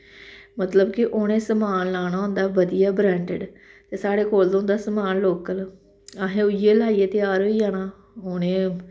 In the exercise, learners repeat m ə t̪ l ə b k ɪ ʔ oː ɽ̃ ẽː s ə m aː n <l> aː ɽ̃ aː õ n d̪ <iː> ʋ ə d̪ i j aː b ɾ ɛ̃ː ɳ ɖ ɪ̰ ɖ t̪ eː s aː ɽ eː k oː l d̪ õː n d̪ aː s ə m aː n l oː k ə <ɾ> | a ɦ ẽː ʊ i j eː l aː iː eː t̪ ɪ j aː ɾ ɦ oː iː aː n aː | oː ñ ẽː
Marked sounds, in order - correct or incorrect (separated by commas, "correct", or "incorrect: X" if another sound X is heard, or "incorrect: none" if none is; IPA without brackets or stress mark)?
correct, incorrect: aː, incorrect: l